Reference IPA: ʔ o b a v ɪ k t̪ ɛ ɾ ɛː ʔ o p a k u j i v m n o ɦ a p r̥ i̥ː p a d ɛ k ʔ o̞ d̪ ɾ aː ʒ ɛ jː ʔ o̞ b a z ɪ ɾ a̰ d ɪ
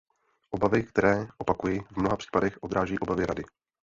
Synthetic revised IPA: ʔ o b a v ɪ k t̪ ɛ ɾ ɛː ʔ o p a k u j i v m n o ɦ a p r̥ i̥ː p a d ɛ x ʔ o̞ d̪ ɾ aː ʒ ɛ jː ʔ o̞ b a v ɪ ɾ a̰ d ɪ